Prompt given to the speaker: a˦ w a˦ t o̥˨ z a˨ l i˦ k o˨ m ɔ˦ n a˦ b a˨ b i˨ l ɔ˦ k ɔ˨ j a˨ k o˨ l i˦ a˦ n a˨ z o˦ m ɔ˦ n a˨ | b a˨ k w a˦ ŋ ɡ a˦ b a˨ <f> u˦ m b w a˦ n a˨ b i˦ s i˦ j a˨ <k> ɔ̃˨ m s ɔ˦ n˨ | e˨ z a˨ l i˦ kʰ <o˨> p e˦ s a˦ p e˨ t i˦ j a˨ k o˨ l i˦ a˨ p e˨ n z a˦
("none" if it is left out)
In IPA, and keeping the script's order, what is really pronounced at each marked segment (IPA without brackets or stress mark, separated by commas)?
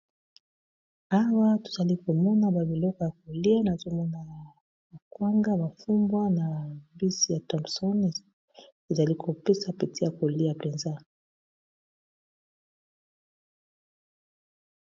f, t, o˨